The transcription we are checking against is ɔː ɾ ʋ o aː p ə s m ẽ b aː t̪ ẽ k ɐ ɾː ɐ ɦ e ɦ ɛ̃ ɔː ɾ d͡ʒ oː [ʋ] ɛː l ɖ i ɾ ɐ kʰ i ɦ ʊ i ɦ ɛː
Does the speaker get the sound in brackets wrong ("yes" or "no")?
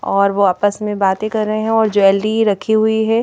yes